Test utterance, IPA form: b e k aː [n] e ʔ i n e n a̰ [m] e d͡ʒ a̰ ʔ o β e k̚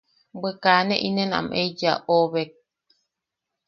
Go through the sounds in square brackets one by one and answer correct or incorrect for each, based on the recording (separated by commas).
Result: correct, correct